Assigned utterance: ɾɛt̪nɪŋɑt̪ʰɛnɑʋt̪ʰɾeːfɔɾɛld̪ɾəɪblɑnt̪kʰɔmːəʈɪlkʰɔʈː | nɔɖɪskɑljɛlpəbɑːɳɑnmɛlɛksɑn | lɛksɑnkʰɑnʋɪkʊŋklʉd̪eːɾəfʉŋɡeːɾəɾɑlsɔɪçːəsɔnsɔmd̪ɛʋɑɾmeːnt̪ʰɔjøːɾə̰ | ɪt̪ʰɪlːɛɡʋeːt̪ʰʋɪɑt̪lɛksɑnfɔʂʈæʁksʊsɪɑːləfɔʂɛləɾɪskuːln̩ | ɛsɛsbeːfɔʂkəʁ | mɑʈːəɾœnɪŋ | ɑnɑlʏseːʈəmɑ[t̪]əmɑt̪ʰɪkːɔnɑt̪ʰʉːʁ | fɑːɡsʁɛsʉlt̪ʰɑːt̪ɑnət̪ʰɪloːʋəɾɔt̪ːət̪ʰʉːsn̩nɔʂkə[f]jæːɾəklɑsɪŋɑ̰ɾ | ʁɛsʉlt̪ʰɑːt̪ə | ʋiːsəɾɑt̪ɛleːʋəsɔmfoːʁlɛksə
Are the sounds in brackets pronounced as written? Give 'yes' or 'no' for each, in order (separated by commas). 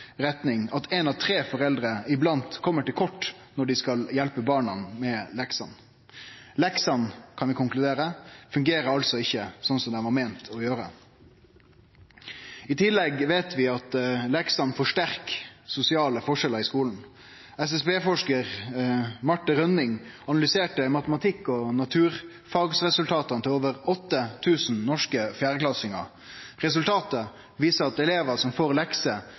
yes, yes